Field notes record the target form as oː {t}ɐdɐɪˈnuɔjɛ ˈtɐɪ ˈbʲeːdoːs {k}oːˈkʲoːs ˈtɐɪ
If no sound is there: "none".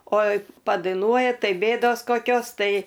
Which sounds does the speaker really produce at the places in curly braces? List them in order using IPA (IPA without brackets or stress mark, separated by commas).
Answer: p, k